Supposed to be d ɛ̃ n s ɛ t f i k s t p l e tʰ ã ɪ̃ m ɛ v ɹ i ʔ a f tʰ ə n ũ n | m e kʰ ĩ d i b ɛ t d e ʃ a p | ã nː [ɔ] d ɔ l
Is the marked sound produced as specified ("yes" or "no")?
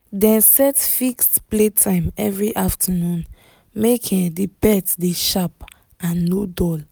no